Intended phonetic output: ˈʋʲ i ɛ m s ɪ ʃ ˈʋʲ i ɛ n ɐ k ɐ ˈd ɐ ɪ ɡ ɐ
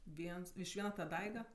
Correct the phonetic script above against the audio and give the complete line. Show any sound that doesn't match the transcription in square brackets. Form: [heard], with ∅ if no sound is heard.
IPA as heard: ˈʋʲ i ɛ [n] s ɪ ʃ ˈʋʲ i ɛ n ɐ [t] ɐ ˈd ɐ ɪ ɡ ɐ

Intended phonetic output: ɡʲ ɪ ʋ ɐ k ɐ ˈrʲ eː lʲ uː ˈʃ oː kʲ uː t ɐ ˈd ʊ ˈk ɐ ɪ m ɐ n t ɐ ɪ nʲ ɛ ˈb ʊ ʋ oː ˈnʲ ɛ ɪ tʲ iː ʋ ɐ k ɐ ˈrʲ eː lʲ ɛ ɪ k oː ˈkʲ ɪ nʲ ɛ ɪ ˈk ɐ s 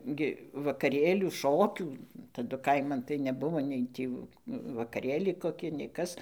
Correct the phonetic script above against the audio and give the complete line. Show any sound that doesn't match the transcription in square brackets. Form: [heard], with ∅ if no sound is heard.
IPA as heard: ɡʲ ɪ ʋ ɐ k ɐ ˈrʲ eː lʲ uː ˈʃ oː kʲ uː t ɐ ˈd ʊ ˈk ɐ ɪ m ɐ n t ɐ ɪ nʲ ɛ ˈb ʊ ʋ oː ˈnʲ ɛ ɪ tʲ iː ʋ ɐ k ɐ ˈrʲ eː lʲ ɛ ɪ k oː ˈkʲ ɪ nʲ ɛ ɪ ˈk ɐ s

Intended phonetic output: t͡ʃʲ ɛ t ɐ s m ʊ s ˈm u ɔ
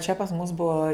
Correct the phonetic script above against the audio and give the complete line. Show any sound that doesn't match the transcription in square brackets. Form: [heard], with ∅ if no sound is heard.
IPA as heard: t͡ʃʲ ɛ [p] ɐ s m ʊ s [ˈb] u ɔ

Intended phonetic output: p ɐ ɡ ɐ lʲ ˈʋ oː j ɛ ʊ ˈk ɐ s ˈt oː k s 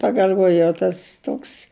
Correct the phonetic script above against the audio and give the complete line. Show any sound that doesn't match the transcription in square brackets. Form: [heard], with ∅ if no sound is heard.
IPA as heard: p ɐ ɡ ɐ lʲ ˈʋ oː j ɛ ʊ [ˈt] ɐ s ˈt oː k s

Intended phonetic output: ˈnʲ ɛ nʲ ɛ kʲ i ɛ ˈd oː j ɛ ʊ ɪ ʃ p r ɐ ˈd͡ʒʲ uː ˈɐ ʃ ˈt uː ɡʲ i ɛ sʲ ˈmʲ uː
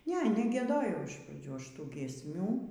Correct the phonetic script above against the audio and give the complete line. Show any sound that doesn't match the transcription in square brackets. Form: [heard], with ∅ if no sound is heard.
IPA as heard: ˈnʲ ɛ nʲ ɛ [ɡʲ] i ɛ ˈd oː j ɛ ʊ ɪ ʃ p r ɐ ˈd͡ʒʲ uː ˈɐ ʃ ˈt uː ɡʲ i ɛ sʲ ˈmʲ uː

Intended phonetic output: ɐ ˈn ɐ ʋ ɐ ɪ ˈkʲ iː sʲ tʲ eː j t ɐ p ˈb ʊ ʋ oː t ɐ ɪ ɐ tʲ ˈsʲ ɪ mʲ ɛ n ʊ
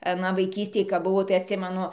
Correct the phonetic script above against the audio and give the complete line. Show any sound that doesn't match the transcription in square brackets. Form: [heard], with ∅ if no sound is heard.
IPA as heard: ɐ ˈn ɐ ʋ ɐ ɪ ˈkʲ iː sʲ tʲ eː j [k] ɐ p ˈb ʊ ʋ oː t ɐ ɪ ɐ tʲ ˈsʲ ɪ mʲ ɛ n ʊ

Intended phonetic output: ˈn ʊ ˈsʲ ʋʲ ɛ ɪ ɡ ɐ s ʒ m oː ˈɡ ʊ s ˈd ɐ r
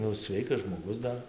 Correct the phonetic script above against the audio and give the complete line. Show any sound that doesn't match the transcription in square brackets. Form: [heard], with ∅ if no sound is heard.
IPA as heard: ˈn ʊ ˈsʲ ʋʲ ɛ ɪ [k] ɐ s ʒ m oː ˈɡ ʊ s ˈd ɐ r

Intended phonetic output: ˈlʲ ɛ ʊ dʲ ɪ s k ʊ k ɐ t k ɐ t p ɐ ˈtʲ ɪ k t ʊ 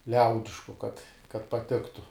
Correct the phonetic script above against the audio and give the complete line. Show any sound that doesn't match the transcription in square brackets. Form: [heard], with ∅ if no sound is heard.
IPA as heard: ˈlʲ ɛ ʊ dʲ ɪ [ʃ] k ʊ k ɐ t k ɐ t p ɐ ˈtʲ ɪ k t ʊ

